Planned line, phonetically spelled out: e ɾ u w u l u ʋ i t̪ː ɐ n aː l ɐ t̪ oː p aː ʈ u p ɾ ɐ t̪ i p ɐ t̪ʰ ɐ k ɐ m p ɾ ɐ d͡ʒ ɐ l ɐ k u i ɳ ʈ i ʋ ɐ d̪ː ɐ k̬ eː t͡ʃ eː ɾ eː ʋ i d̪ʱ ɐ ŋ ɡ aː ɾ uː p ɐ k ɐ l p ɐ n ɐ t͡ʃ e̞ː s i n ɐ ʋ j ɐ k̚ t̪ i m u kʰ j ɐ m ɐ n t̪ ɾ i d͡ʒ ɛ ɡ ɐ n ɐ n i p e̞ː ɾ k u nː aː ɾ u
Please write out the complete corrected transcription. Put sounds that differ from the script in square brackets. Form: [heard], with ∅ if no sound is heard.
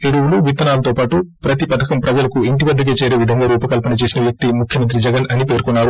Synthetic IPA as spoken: e [ɽ] u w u l u ʋ i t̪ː ɐ n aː l ɐ t̪ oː p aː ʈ u p ɾ ɐ t̪ i p ɐ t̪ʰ ɐ k ɐ m p ɾ ɐ d͡ʒ ɐ l ɐ k u i ɳ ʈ i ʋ ɐ d̪ː ɐ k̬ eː t͡ʃ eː ɾ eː ʋ i d̪ʱ ɐ ŋ ɡ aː ɾ uː p ɐ k ɐ l p ɐ n ɐ t͡ʃ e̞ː s i n ɐ ʋ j ɐ k̚ t̪ i m u kʰ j ɐ m ɐ n t̪ ɾ i d͡ʒ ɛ ɡ ɐ n ɐ n i p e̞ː ɾ k u nː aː ɾ u